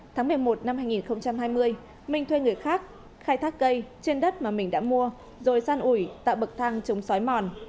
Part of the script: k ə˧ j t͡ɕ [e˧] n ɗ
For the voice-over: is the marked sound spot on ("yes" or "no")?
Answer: yes